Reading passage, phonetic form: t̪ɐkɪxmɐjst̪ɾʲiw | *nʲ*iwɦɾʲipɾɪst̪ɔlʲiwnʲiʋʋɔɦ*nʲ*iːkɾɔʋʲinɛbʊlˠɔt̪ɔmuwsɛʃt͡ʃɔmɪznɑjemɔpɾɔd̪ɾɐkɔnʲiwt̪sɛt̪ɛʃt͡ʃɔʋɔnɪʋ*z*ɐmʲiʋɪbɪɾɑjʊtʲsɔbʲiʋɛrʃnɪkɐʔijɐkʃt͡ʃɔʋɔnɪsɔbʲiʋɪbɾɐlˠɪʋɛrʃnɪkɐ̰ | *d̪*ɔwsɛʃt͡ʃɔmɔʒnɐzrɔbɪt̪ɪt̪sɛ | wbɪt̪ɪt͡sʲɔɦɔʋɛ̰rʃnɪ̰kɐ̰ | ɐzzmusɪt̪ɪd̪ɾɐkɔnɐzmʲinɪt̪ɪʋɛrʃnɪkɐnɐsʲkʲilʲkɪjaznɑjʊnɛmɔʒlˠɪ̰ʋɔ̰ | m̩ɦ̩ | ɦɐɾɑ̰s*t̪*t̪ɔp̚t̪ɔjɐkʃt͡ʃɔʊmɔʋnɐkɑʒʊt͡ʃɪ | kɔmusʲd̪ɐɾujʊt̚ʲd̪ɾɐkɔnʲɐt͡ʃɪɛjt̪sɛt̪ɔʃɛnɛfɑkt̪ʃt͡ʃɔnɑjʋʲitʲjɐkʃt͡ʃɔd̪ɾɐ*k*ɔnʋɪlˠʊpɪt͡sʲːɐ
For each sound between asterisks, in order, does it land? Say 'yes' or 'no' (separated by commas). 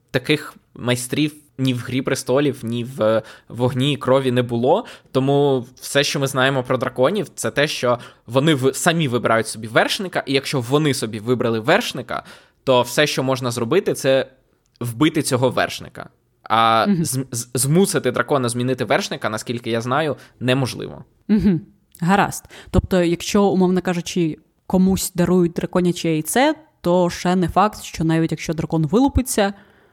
yes, yes, no, no, yes, yes